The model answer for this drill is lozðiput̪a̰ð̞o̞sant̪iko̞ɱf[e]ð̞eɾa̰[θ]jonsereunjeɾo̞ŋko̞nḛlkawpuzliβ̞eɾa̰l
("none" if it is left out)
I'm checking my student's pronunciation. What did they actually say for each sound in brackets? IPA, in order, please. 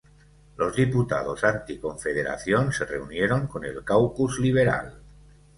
e, θ

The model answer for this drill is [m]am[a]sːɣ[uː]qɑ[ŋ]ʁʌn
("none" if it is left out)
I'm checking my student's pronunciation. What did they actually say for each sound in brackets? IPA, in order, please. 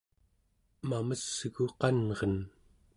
m, ə, u, n

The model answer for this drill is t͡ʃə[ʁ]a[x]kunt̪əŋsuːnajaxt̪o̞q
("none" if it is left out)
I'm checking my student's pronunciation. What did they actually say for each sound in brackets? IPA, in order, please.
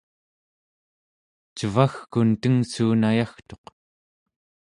v, x

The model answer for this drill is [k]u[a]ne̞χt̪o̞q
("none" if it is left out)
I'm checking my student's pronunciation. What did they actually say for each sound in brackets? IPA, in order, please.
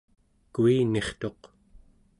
k, i

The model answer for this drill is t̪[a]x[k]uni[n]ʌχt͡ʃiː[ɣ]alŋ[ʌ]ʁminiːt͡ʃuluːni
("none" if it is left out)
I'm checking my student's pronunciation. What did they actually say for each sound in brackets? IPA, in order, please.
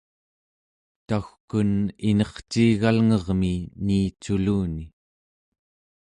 a, k, n, ɣ, ʌ

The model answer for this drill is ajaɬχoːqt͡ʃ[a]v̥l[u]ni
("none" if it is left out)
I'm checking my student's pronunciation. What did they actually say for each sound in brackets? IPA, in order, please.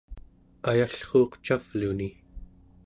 a, u

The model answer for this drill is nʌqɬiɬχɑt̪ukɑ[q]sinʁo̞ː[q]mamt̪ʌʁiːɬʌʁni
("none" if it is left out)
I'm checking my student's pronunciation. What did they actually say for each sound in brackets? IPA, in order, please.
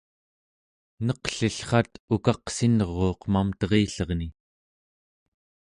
q, q

